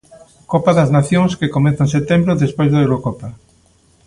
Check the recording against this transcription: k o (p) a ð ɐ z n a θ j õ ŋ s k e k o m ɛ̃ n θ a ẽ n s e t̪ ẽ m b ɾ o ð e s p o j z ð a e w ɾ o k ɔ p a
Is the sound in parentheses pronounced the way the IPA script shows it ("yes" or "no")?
yes